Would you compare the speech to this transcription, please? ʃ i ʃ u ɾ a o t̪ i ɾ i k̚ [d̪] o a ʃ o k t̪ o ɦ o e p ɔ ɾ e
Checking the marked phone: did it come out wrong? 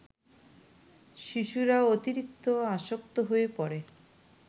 yes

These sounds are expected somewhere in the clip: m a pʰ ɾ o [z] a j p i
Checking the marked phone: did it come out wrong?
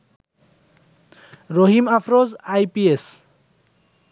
no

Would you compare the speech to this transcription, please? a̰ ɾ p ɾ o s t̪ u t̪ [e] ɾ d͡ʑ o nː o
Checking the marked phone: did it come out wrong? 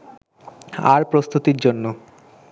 yes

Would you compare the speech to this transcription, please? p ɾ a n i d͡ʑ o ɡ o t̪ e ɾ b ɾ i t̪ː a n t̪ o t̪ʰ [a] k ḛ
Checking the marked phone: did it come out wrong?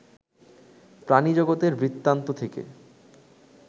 yes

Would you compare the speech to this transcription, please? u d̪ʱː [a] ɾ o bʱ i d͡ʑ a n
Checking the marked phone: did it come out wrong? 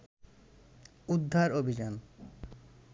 no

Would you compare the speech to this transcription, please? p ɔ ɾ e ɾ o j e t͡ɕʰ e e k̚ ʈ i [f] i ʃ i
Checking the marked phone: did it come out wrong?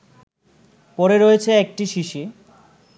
yes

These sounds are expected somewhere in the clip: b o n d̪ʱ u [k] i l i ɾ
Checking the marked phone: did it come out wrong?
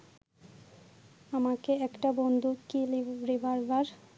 no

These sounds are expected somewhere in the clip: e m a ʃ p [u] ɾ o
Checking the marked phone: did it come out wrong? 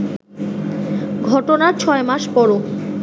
yes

